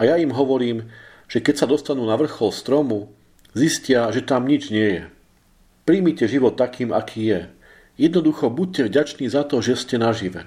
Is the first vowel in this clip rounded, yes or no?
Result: no